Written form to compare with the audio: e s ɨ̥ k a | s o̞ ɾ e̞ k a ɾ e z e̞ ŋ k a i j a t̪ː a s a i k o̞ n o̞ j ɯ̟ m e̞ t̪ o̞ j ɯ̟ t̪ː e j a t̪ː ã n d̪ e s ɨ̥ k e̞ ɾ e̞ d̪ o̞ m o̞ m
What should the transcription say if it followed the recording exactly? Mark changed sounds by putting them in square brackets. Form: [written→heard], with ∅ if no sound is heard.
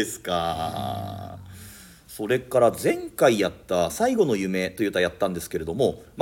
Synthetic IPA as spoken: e s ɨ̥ k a | s o̞ ɾ e̞ k a ɾ [e→a] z [e̞→ẽ̞] ŋ k a i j a t̪ː a s a i [k→ɡ] o̞ n o̞ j ɯ̟ m e̞ t̪ o̞ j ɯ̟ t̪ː [e→a] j a t̪ː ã n d̪ e s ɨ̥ k e̞ ɾ e̞ d̪ o̞ m o̞ m